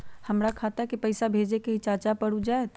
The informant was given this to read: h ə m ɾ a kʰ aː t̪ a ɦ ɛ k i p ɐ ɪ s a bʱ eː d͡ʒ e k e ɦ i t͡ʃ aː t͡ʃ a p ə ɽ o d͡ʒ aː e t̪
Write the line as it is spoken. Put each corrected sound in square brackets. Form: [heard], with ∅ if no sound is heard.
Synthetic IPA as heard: h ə m ɾ a kʰ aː t̪ a ɦ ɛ k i p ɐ ɪ s a bʱ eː d͡ʒ e k e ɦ i t͡ʃ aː t͡ʃ a p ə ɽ [u] d͡ʒ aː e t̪